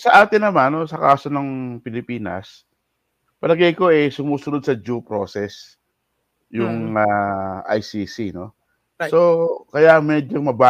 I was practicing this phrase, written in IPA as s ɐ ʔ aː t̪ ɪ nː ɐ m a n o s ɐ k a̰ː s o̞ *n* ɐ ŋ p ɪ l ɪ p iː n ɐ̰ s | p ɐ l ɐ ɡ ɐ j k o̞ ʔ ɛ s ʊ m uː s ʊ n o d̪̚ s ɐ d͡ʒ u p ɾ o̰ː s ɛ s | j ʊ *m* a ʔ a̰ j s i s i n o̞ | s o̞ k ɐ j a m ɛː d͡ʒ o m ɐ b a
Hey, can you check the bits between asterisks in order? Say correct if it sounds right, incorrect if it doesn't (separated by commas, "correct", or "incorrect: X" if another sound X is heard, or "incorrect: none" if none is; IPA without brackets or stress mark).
correct, incorrect: ŋ